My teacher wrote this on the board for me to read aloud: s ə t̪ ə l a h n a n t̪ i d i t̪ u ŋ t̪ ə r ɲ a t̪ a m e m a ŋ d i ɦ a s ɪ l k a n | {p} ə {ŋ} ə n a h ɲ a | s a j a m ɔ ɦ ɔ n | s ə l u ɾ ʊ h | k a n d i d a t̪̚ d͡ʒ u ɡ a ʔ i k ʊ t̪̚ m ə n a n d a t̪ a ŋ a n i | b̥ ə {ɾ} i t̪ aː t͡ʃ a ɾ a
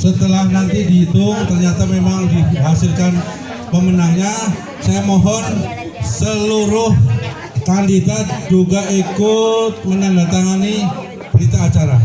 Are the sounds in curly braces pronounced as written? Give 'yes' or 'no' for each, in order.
yes, no, yes

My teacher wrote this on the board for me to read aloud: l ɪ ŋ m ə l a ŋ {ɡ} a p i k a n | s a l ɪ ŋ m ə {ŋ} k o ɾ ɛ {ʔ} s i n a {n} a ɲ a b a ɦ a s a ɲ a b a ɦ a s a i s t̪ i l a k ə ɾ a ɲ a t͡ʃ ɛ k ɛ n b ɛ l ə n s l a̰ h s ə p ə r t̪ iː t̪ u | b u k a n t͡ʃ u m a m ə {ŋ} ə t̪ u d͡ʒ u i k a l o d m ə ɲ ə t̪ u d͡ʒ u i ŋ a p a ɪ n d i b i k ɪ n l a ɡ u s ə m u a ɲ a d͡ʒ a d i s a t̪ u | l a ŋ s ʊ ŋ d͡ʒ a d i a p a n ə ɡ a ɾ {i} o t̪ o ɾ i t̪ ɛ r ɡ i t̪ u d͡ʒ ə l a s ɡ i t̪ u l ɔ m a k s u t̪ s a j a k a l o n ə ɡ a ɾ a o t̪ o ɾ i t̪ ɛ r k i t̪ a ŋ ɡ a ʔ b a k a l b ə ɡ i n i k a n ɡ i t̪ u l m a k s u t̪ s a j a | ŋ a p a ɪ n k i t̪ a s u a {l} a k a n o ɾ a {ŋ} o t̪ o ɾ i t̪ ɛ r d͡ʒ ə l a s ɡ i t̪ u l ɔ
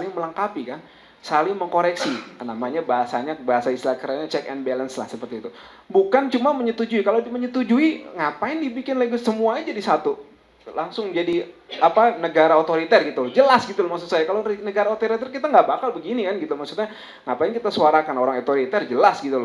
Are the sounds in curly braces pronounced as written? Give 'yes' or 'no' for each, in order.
no, yes, no, no, no, no, no, yes

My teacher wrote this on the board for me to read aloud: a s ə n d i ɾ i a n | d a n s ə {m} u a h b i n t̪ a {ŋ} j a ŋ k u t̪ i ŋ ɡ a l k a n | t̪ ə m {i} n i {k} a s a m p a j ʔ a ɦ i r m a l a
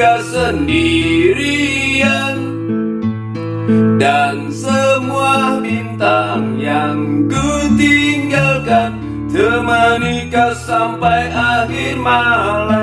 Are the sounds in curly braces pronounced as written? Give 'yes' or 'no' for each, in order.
yes, yes, no, yes

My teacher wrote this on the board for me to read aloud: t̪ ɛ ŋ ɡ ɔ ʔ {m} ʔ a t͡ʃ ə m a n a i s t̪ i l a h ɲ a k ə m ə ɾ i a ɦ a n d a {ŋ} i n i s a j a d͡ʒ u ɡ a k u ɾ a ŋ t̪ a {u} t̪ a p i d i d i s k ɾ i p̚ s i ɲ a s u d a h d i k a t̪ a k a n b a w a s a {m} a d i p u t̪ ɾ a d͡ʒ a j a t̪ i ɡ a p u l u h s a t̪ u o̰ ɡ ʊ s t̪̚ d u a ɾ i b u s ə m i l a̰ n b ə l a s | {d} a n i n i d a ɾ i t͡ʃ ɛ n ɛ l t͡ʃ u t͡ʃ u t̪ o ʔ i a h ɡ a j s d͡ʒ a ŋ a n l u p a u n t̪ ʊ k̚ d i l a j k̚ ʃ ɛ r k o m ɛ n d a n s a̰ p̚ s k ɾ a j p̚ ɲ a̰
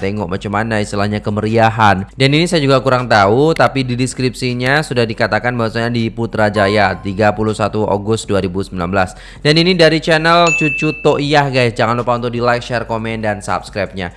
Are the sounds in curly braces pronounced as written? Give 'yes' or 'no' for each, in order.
yes, no, yes, no, yes

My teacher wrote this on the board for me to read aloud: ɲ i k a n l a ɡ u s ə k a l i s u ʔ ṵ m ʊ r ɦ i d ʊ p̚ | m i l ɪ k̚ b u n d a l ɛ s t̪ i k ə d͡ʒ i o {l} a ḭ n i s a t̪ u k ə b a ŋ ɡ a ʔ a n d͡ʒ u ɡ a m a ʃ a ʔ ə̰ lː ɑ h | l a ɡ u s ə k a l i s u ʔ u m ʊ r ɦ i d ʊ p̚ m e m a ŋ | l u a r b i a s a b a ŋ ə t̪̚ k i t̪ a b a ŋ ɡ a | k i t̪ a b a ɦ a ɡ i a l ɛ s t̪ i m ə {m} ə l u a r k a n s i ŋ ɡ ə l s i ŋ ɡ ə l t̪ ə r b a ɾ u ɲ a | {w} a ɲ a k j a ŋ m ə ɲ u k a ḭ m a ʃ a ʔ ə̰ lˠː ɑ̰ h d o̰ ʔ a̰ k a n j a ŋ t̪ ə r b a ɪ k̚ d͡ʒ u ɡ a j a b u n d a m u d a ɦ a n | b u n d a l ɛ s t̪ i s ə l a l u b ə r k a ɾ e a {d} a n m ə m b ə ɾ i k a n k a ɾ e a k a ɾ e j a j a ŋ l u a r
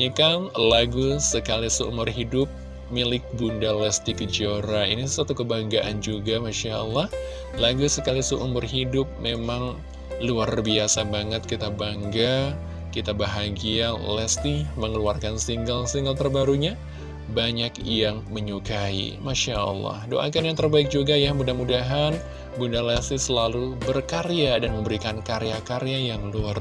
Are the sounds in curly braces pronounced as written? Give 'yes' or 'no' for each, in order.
no, no, no, yes

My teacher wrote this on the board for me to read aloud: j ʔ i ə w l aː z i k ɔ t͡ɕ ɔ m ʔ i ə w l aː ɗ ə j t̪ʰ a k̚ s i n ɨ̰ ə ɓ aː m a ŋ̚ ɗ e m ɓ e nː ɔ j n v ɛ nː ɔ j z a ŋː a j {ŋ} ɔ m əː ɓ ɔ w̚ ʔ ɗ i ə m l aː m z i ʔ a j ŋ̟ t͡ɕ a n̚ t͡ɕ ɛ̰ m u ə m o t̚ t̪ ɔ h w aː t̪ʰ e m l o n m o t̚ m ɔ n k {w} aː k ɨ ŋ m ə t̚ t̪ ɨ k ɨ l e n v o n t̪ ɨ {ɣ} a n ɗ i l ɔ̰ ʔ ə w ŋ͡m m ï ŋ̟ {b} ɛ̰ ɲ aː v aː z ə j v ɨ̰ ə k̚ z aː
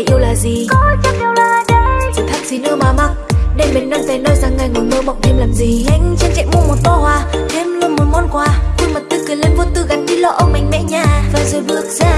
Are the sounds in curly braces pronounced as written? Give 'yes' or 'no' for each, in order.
yes, yes, yes, no

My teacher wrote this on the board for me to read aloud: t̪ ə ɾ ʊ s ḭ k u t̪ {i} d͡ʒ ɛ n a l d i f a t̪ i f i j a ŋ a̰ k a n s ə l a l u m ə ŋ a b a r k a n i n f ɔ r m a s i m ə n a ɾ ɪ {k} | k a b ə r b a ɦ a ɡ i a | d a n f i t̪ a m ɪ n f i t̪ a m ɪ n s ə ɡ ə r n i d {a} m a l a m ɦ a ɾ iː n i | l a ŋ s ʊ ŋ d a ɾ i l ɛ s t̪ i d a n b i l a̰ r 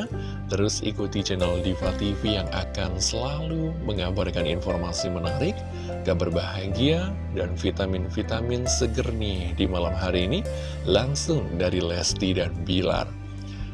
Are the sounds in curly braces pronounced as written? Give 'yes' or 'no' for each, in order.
yes, yes, no

